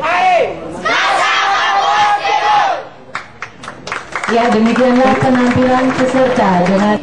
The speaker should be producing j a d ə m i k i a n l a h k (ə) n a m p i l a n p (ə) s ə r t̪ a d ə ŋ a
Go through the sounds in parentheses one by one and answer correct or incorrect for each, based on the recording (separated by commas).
correct, correct